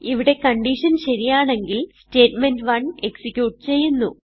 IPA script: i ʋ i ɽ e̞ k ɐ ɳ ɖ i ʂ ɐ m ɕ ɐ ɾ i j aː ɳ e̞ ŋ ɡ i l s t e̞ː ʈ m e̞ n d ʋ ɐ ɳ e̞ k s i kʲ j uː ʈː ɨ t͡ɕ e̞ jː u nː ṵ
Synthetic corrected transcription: i ʋ i ɽ e̞ k ɐ ɳ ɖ i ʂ ɐ n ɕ ɐ ɾ i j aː ɳ e̞ ŋ ɡ i l s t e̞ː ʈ m e̞ n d ʋ ɐ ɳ e̞ k s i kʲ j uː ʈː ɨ t͡ɕ e̞ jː u nː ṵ

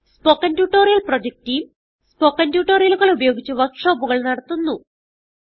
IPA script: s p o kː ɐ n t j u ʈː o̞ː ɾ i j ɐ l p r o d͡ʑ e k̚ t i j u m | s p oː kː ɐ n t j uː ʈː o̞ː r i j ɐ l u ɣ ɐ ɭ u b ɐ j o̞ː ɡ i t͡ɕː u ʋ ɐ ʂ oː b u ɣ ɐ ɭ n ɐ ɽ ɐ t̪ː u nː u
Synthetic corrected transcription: s p o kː ɐ n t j u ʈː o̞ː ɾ i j ɐ l p r o d͡ʑ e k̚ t i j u m | s p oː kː ɐ n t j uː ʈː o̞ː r i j ɐ l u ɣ ɐ ɭ u b ɐ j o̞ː ɡ i t͡ɕː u ʋ ɐ ʂ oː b u ɣ ɐ ɭ n ɐ ɽ ɐ t̪ː u nː u

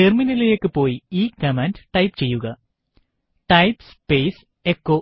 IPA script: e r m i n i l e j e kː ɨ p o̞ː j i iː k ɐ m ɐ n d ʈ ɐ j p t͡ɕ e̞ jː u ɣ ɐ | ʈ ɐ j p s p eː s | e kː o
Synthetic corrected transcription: e r m i n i l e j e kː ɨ p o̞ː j i iː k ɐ m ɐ n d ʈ ɐ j p t͡ɕ e̞ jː u ɣ ɐ | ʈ ɐ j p s p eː s | e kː o

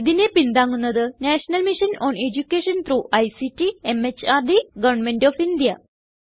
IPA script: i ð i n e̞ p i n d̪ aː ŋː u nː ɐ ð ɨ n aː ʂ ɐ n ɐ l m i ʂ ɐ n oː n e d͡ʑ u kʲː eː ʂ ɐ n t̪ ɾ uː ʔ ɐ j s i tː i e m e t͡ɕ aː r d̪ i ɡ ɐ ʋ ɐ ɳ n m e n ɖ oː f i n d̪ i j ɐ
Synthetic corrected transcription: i ð i n e̞ p i n d̪ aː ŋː u nː ɐ ð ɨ n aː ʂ ɐ n ɐ l m i ʂ ɐ n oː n e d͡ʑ u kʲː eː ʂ ɐ n t̪ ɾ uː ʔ ɐ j s i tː i e m e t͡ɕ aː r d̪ i ɡ ɐ ʋ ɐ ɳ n m e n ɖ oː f i n d̪ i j ɐ

